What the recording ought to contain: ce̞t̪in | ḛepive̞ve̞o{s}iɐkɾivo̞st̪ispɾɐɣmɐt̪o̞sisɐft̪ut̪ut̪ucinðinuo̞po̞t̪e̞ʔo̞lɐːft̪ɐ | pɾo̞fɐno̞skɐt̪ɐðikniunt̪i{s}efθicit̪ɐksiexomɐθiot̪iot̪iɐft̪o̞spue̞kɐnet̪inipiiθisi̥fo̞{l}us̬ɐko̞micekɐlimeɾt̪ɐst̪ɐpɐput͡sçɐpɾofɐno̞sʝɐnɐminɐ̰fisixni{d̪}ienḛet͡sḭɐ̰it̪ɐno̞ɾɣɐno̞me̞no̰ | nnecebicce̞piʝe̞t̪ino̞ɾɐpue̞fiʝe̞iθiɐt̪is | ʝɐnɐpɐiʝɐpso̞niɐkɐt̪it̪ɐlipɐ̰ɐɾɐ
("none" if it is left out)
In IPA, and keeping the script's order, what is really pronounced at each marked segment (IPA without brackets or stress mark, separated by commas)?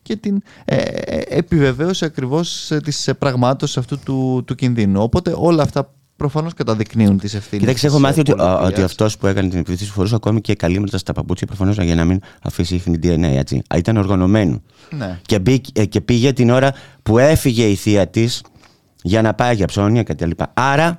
s, s, ɾ, d̪